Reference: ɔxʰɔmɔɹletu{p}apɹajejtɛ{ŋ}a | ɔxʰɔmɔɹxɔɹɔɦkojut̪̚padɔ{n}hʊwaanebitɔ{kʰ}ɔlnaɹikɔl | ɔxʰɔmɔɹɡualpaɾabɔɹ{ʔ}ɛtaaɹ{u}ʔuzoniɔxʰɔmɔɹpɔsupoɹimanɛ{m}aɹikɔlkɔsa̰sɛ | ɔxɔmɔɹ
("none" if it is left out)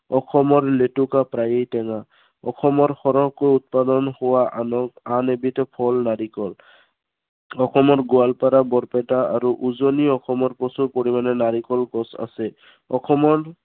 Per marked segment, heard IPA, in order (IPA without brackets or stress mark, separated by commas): k, ŋ, n, pʰ, p, u, n